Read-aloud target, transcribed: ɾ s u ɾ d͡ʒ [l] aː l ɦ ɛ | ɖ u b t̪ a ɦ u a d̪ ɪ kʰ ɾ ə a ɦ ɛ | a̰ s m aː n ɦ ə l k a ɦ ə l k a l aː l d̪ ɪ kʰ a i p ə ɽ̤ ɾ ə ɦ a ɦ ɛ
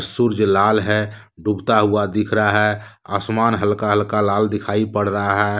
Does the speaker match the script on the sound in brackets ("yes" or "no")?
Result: yes